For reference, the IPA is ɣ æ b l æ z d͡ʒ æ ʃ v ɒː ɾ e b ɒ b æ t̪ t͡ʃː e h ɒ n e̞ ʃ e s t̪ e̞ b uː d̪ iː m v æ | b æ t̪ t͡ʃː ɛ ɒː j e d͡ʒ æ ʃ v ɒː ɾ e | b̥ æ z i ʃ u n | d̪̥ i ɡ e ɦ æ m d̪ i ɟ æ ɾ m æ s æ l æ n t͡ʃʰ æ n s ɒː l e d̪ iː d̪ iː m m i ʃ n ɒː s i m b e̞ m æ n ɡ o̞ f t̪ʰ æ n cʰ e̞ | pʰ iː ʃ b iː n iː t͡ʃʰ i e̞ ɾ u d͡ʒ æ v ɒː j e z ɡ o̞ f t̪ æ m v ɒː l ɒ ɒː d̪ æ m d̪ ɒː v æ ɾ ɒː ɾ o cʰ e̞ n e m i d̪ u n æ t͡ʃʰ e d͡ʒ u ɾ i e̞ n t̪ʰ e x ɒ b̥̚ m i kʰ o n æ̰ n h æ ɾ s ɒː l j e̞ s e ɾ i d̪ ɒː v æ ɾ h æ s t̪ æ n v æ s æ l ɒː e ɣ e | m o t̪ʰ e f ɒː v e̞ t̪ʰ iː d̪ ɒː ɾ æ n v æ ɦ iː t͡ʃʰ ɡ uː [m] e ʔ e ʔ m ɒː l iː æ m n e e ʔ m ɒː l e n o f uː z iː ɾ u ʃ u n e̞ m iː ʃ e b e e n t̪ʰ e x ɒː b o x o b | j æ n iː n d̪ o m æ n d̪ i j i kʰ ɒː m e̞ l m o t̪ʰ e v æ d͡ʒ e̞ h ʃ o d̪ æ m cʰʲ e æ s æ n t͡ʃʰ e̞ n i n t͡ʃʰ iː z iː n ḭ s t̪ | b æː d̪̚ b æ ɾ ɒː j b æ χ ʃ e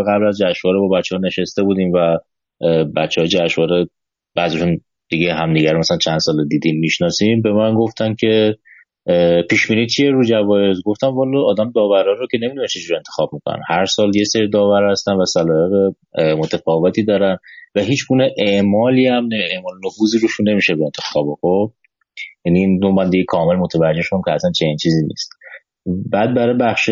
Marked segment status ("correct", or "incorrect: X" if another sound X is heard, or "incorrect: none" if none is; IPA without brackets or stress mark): incorrect: n